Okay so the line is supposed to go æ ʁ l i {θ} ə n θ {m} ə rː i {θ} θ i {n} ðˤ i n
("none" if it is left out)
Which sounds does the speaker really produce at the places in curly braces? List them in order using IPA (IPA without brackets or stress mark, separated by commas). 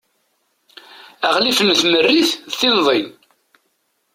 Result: f, m, θ, n